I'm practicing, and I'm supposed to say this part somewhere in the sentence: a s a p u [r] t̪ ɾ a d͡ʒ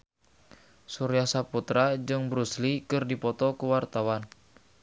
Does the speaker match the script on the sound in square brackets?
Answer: no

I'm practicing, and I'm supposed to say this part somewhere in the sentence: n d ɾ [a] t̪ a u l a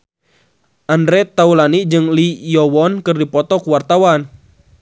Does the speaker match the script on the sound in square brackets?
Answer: no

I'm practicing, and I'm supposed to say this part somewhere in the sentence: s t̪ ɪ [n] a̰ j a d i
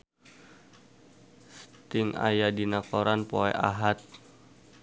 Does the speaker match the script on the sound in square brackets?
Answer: no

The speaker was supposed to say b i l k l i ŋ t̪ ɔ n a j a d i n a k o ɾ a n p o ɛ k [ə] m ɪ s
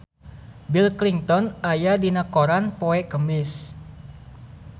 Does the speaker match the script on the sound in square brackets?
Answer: yes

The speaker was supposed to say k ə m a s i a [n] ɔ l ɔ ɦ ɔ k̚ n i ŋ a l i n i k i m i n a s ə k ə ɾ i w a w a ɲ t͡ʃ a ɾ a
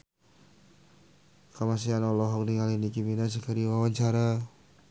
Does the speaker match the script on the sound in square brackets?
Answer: yes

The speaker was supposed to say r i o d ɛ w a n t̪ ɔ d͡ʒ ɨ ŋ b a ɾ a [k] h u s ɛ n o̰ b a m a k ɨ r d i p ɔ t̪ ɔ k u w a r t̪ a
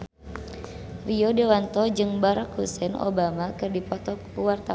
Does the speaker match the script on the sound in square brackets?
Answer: yes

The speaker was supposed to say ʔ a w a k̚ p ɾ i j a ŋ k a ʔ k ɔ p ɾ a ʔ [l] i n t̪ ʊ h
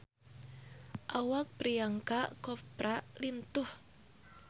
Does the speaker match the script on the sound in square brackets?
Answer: yes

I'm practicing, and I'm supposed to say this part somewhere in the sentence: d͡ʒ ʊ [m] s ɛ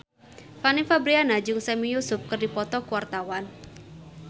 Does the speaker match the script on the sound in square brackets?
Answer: no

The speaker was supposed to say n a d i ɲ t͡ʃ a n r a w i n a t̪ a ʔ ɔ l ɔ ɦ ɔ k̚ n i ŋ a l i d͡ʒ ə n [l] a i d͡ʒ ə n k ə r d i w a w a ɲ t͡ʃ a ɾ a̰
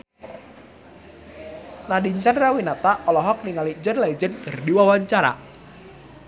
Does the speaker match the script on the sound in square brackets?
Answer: yes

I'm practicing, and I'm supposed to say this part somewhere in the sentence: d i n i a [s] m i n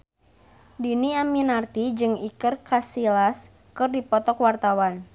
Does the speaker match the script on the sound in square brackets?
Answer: no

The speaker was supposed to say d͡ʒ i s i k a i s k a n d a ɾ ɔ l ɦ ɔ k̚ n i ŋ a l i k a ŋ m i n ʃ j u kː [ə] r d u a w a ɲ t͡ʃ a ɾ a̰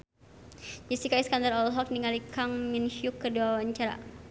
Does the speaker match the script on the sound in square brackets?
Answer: yes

